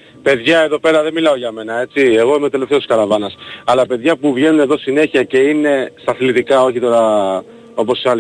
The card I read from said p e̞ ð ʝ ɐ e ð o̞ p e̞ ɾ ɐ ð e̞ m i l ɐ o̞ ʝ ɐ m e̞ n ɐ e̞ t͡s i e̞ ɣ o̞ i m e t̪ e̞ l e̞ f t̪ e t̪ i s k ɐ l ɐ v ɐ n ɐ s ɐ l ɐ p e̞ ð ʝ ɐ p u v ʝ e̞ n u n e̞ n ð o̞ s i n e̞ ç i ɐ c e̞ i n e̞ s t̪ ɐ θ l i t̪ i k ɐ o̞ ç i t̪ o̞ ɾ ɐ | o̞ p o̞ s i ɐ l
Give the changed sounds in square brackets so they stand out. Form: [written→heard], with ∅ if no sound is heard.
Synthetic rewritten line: p e̞ ð ʝ ɐ e ð o̞ p e̞ ɾ ɐ ð e̞ m i l ɐ o̞ ʝ ɐ m e̞ n ɐ e̞ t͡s i e̞ ɣ o̞ i m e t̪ e̞ l e̞ f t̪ e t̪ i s k ɐ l ɐ v ɐ n ɐ s ɐ l ɐ p e̞ ð ʝ ɐ p u v ʝ e̞ n u n e̞ [n→∅] ð o̞ s i n e̞ ç i ɐ c e̞ i n e̞ s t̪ ɐ θ l i t̪ i k ɐ o̞ ç i t̪ o̞ ɾ ɐ | o̞ p o̞ s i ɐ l